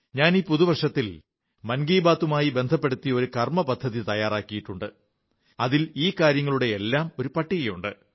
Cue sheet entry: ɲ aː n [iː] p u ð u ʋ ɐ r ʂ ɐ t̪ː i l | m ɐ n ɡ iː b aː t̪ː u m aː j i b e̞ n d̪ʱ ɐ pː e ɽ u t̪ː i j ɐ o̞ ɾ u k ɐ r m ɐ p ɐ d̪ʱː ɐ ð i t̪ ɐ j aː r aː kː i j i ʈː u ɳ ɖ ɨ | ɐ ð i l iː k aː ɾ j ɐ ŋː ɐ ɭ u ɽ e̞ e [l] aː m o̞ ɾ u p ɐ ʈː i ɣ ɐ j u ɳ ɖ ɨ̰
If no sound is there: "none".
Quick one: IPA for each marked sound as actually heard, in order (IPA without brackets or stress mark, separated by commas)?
iː, lː